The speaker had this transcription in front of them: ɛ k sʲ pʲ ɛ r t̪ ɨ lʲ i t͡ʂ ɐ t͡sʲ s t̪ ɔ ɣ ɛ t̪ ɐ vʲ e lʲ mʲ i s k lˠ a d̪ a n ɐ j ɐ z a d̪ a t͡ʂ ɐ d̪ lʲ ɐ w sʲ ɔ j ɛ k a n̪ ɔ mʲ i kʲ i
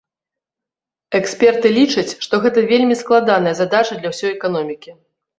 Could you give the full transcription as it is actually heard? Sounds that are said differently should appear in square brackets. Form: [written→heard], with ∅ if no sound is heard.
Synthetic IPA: ɛ k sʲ pʲ ɛ r t̪ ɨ lʲ i t͡ʂ ɐ t͡sʲ [s→ʂ] t̪ ɔ ɣ ɛ t̪ ɐ vʲ e lʲ mʲ i s k lˠ a d̪ a n ɐ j ɐ z a d̪ a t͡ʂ ɐ d̪ lʲ ɐ w sʲ ɔ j ɛ k a n̪ ɔ mʲ i kʲ i